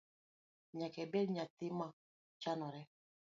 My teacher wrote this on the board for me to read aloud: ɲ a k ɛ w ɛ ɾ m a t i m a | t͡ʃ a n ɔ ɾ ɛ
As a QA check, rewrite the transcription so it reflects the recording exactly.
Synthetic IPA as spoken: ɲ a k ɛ b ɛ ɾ ɲ a t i m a | t͡ʃ a n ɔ ɾ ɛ

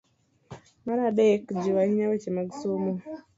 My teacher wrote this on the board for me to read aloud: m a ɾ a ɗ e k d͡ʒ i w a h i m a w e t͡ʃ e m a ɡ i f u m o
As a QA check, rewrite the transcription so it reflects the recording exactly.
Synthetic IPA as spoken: m a ɾ a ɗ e k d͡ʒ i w a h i ɲ a w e t͡ʃ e m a ɡ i s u m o

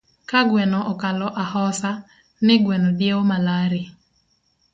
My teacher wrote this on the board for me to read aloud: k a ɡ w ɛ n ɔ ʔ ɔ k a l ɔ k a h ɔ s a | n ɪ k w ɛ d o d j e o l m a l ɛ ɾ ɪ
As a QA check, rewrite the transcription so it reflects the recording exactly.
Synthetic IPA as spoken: k a ɡ w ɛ n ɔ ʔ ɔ k a l ɔ ʔ a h ɔ s a | n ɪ ɡ w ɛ n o d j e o m a l a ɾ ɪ

